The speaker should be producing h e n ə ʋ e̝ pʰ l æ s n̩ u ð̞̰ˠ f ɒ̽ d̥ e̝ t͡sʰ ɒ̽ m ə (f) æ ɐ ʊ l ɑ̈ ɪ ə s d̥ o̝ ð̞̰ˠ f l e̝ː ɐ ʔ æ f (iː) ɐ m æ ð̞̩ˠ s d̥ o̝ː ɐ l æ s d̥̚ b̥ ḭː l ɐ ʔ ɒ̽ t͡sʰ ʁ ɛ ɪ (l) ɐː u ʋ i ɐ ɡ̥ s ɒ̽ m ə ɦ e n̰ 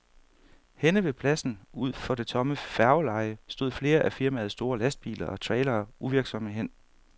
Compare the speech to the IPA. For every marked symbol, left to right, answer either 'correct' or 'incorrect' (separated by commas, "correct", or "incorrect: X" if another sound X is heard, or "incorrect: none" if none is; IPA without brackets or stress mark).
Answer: correct, incorrect: i, correct